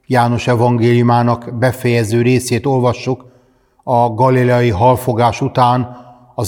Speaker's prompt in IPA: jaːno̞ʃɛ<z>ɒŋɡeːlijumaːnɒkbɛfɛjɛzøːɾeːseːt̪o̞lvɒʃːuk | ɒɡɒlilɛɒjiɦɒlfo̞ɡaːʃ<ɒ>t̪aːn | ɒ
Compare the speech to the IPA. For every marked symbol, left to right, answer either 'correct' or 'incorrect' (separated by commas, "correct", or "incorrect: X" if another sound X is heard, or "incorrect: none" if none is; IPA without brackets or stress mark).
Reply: incorrect: v, incorrect: u